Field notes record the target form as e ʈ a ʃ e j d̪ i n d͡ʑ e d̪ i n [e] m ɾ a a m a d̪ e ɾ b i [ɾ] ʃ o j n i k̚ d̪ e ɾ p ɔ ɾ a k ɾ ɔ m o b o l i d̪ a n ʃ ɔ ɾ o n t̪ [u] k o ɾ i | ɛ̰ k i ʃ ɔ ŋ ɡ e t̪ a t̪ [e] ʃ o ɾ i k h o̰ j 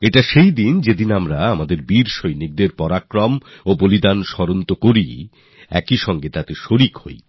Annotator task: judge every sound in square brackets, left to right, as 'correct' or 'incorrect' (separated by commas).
incorrect, correct, incorrect, correct